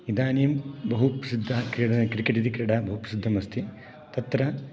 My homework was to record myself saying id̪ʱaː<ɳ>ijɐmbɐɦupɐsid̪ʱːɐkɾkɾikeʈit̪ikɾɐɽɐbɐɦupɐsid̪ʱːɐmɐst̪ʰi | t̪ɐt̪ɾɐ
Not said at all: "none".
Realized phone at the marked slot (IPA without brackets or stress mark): n